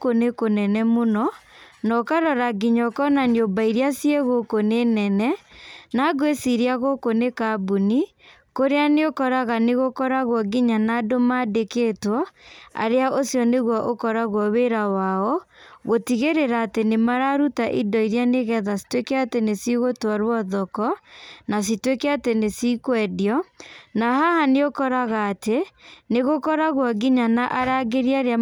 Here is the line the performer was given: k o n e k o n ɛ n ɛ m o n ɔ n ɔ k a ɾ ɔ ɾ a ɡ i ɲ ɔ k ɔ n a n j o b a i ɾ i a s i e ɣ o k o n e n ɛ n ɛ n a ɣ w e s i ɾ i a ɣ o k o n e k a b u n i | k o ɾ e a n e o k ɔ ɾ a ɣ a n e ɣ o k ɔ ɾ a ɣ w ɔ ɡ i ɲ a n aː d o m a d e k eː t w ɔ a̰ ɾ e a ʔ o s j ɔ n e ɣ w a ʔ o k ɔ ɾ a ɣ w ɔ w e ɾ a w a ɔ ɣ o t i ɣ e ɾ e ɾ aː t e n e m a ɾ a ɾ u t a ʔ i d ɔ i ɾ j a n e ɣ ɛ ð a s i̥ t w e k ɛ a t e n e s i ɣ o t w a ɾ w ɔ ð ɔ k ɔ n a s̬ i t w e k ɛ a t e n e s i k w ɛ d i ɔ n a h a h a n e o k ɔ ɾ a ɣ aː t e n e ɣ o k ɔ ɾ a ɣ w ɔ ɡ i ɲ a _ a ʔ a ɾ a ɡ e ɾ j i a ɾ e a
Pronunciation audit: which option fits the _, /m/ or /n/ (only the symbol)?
n